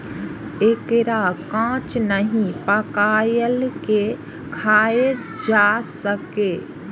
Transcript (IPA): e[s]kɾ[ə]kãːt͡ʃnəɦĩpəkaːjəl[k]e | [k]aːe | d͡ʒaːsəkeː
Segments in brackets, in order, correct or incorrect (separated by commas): incorrect, incorrect, correct, incorrect